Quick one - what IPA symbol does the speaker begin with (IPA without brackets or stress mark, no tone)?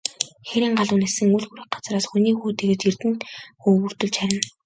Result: x